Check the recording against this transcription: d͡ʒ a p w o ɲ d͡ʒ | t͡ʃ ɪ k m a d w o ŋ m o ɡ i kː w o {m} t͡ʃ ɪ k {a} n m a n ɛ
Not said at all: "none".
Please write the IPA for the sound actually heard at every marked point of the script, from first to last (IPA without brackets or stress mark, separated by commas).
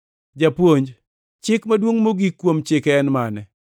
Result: m, ɛ